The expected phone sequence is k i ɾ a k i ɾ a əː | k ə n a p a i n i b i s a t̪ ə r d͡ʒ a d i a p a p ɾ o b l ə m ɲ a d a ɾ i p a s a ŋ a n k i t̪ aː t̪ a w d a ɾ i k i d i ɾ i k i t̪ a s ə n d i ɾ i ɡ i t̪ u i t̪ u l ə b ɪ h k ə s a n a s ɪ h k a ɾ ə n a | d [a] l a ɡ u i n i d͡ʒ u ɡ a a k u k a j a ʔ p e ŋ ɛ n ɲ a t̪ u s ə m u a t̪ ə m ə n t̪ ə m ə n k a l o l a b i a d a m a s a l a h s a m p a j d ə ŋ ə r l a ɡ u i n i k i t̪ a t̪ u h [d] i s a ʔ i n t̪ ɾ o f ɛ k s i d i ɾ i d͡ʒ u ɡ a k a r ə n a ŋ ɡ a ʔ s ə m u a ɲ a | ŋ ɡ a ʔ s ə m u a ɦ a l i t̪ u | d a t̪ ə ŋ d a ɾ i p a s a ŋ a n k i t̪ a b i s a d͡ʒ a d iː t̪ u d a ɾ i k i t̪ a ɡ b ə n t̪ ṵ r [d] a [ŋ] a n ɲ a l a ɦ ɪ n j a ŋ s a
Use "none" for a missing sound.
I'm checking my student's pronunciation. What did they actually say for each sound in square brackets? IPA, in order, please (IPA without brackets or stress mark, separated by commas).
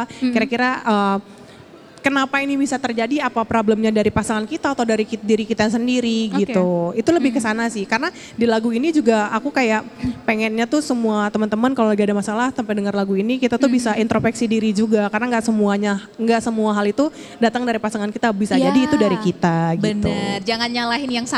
i, b, d͡ʒ, ŋ